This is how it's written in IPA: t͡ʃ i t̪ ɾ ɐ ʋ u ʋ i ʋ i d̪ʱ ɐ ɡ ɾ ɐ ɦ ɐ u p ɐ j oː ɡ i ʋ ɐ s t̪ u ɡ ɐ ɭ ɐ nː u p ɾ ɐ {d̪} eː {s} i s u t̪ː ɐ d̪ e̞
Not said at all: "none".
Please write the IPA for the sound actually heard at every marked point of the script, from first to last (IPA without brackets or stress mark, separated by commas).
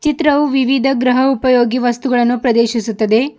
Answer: d̪, ʃ